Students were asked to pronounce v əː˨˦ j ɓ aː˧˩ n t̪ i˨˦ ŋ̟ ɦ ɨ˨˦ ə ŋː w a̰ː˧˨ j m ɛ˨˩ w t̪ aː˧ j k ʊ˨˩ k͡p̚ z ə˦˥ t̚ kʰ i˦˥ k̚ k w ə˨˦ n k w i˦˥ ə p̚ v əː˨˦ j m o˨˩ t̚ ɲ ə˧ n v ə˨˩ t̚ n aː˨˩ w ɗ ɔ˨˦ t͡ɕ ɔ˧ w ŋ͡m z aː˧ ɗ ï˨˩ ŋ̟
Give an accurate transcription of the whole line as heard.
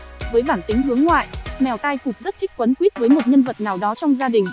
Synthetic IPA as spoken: v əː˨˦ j ɓ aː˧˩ n t̪ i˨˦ ŋ̟ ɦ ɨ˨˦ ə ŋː w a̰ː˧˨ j m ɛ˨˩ w t̪ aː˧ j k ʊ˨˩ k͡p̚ z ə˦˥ t̚ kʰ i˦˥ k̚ k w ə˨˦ n k w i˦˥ ə t̚ v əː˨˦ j m o˨˩ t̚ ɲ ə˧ n v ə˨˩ t̚ n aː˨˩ w ɗ ɔ˨˦ t͡ɕ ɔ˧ w ŋ͡m z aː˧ ɗ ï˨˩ ŋ̟